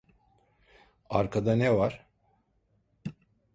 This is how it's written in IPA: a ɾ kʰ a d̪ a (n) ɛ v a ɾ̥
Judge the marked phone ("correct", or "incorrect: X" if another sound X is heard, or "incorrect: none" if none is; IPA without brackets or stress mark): correct